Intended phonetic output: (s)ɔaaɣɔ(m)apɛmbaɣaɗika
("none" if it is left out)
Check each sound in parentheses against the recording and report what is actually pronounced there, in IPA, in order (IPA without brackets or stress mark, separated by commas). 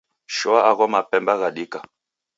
ʃ, m